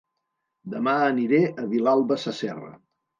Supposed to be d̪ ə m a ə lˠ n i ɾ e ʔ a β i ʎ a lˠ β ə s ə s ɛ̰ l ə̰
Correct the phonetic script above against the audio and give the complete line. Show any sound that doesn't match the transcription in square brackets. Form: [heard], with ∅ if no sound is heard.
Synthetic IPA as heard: d̪ ə m a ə [∅] n i ɾ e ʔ [ə] β i [l] a lˠ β ə s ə s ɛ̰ [r] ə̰